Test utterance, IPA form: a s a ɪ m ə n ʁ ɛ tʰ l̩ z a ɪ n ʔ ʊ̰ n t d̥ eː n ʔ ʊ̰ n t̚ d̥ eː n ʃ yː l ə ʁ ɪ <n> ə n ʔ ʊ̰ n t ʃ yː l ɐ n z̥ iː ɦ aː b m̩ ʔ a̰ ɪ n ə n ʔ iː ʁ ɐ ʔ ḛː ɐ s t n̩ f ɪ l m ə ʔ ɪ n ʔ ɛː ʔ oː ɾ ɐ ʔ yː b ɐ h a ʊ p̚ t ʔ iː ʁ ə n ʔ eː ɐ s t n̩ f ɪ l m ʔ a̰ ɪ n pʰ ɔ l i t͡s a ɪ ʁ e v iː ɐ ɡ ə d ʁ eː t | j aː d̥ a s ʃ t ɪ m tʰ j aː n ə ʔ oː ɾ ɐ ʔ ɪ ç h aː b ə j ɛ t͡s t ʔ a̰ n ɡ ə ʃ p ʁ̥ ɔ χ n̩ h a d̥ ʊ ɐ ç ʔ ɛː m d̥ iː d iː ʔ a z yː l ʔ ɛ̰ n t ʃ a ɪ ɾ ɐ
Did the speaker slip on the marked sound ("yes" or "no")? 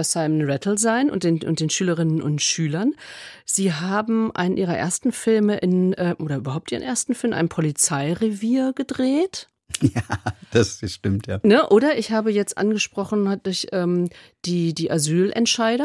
no